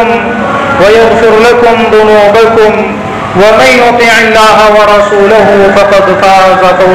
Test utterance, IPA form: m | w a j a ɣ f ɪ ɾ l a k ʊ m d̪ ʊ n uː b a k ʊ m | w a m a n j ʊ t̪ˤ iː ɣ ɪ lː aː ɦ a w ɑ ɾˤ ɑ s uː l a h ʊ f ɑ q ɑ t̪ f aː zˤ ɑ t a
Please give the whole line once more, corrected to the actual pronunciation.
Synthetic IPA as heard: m | w a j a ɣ f ɪ ɾ l a k ʊ m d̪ ʊ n uː b a k ʊ m | w a m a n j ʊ t̪ˤ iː ʕ ɪ lː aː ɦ a w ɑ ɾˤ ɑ s uː l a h ʊ f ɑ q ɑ d̪ f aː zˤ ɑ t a